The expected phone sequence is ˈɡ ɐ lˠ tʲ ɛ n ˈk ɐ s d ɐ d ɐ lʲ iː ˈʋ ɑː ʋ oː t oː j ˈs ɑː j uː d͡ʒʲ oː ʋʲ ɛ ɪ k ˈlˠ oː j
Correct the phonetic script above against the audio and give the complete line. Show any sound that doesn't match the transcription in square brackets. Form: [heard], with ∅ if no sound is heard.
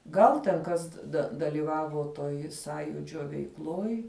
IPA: ˈɡ ɐ lˠ tʲ ɛ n ˈk ɐ s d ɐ d ɐ lʲ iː ˈʋ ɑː ʋ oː t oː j ˈs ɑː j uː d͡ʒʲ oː ʋʲ ɛ ɪ k ˈlˠ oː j